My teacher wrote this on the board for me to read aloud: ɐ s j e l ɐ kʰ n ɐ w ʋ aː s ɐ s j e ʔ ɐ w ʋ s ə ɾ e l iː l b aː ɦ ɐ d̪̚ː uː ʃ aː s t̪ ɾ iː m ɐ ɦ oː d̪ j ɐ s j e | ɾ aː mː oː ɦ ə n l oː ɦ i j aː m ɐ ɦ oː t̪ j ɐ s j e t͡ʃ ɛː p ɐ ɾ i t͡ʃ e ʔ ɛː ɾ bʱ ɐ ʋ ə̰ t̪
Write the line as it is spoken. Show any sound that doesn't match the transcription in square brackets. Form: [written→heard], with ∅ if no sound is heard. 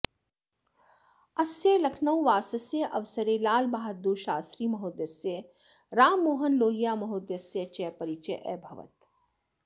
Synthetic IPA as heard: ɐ s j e l ɐ kʰ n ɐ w ʋ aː s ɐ s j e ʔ ɐ [w→∅] ʋ s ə ɾ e l [iː→aː] l b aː ɦ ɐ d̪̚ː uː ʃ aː s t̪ ɾ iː m ɐ ɦ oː d̪ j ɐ s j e | ɾ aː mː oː ɦ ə n l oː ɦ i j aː m ɐ ɦ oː [t̪→d̪] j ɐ s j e t͡ʃ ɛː p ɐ ɾ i t͡ʃ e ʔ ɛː [ɾ→∅] bʱ ɐ ʋ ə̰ t̪